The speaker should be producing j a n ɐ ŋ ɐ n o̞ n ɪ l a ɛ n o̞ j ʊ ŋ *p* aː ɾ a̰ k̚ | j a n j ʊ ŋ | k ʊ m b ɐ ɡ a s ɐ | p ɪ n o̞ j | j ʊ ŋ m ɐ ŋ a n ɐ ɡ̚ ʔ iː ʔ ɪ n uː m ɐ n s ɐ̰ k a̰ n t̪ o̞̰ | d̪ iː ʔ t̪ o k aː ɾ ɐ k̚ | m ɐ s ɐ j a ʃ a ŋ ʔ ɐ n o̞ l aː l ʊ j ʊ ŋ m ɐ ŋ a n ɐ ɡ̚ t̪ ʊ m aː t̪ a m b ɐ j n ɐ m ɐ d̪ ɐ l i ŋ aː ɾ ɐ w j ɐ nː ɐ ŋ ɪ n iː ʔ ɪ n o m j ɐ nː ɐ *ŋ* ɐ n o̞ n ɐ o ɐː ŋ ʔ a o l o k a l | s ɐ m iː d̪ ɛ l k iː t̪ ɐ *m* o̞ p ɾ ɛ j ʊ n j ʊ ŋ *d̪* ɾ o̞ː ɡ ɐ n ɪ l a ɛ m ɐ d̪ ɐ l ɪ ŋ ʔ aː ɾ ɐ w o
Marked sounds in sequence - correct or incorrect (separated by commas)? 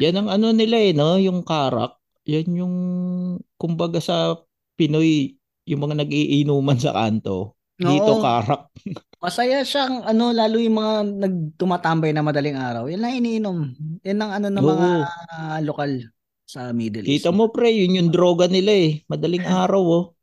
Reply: incorrect, correct, correct, correct